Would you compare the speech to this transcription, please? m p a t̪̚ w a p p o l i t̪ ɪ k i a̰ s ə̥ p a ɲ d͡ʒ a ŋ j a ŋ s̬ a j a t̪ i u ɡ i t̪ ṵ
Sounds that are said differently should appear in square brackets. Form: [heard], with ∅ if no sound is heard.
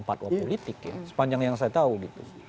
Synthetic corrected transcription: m p a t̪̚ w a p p o l i t̪ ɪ k [j] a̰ s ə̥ p a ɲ d͡ʒ a ŋ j a ŋ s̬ a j a t̪ [a] u ɡ i t̪ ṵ